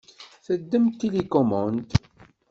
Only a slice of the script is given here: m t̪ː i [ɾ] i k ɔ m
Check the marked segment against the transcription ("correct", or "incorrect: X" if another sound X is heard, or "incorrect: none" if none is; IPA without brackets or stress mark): incorrect: l